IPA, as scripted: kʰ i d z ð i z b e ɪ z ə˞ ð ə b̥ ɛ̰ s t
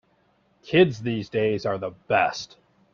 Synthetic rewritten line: kʰ ɪ d z ð i z d e ɪ z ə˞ ð ə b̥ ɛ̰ s t